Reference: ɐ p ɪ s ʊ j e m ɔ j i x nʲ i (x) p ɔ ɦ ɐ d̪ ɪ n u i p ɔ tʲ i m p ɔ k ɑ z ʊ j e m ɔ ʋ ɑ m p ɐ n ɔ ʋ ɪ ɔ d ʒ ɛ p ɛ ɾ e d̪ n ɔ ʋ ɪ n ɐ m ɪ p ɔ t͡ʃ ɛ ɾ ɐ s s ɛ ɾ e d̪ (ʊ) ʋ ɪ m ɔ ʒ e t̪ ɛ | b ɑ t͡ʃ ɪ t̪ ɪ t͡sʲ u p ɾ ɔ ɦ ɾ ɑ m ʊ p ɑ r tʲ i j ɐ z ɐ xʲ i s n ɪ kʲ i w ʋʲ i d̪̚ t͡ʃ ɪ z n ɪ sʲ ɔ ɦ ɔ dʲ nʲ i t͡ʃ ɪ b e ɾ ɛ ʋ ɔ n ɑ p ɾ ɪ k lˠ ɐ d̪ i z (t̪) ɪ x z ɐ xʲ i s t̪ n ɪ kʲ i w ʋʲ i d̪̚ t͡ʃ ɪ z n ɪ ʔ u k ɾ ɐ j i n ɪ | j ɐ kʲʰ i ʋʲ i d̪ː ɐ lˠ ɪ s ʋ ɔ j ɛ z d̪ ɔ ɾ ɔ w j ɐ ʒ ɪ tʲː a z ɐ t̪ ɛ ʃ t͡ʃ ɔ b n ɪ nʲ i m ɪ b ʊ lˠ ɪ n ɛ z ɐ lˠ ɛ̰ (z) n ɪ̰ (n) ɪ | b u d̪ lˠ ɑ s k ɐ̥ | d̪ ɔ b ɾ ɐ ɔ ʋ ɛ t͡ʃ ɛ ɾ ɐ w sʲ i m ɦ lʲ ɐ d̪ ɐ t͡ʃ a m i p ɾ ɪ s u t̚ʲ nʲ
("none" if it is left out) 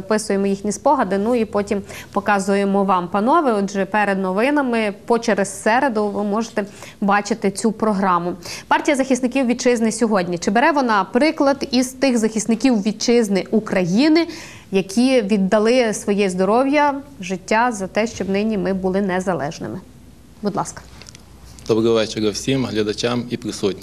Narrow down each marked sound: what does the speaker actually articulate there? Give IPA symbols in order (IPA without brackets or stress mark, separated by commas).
s, ʊ, t̪, ʒ, m